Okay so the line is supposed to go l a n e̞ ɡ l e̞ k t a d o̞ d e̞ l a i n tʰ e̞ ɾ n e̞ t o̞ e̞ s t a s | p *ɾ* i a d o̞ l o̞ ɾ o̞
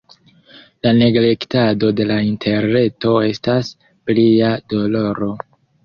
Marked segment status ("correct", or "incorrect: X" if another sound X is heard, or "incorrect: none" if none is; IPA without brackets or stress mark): incorrect: l